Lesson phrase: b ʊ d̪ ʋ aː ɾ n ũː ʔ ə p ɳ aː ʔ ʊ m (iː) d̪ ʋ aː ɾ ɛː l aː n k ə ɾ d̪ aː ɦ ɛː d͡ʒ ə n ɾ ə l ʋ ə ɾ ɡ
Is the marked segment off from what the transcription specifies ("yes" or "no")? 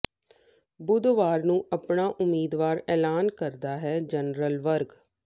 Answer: no